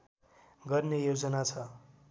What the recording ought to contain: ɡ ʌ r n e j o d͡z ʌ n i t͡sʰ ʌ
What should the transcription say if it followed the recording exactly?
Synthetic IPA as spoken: ɡ ʌ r n e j o d͡z ʌ n a t͡sʰ ʌ

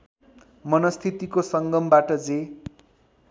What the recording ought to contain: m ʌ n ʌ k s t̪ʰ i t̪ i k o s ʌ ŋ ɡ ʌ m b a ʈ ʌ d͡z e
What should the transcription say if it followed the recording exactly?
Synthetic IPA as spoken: m ʌ n ʌ s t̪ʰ i t̪ i k o s ʌ ŋ ɡ ʌ m b a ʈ ʌ d͡z e

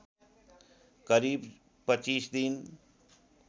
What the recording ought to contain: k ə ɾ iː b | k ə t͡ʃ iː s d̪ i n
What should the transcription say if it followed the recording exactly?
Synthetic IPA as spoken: k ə ɾ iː b | p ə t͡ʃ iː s d̪ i n

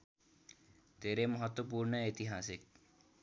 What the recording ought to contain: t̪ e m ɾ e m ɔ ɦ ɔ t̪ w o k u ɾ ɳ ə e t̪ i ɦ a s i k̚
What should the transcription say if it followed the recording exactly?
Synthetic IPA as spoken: t̪ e ɾ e m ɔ ɦ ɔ t̪ w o p u ɾ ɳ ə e t̪ i ɦ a s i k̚

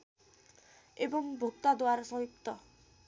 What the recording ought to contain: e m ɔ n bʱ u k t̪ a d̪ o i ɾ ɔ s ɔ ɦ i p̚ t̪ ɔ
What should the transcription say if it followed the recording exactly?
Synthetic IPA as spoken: e b ɔ ŋ bʱ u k t̪ a d̪ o a ɾ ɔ s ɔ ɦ i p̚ t̪ ɔ

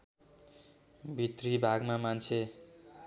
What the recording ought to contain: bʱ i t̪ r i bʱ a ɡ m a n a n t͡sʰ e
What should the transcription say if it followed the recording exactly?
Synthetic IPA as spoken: bʱ i t̪ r i bʱ a ɡ m a m a n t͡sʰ e

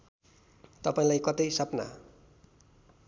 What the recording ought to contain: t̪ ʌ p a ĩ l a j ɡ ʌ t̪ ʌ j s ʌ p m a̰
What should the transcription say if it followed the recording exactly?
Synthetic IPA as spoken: t̪ ʌ p a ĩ l a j k ʌ t̪ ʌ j s ʌ p n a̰

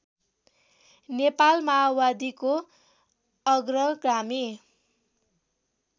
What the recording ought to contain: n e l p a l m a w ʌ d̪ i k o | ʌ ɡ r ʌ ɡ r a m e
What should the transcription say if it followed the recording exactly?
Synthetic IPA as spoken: n e p a l m a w a d̪ i k o | ʌ ɡ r ʌ ɡ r a m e

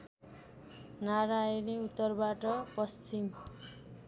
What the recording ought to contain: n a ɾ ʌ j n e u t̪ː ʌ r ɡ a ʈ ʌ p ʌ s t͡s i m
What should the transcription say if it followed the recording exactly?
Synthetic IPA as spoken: n a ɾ a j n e u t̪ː ʌ r b a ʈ ʌ p ʌ s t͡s i m

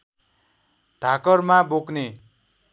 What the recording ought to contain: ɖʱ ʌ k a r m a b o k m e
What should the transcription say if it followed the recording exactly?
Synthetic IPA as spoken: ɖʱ a k ʌ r m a b o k n e

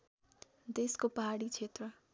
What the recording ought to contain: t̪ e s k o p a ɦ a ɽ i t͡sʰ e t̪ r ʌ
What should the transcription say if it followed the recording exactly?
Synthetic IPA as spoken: d̪ e s k o p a ɦ a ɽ i t͡sʰ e t̪ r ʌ

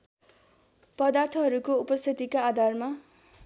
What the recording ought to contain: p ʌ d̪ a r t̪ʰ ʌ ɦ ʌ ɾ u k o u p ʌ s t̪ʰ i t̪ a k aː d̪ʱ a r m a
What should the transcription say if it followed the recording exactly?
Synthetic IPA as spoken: p ʌ d̪ a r t̪ʰ ʌ ɦ ʌ ɾ u k o u p ʌ s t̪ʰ i t̪ i k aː d̪ʱ a r m a

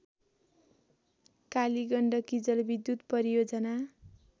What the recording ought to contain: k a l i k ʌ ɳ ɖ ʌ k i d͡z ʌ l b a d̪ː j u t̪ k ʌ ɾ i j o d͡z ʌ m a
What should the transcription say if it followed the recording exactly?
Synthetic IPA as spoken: k a l i ɡ ʌ ɳ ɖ ʌ k i d͡z ʌ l b i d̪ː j u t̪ p ʌ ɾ i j o d͡z ʌ n a

